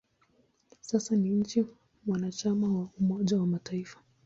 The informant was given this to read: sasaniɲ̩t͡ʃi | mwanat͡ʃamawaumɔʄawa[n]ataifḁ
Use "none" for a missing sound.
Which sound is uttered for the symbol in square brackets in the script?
m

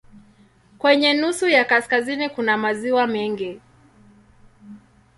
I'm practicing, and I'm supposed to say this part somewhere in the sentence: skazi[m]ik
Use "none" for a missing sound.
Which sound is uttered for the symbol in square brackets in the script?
n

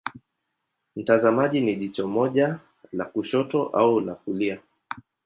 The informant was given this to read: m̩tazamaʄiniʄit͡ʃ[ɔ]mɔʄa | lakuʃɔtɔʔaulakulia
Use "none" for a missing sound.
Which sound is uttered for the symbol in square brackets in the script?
ɔ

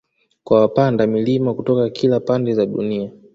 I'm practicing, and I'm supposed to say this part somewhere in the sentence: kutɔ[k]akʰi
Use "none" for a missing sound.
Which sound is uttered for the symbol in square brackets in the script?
k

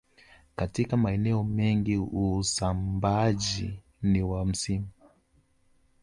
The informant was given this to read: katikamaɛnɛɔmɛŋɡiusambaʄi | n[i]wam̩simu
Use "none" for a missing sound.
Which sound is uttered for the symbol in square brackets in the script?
i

